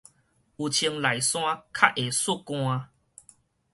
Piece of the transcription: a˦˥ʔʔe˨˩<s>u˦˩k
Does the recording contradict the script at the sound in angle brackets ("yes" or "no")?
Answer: no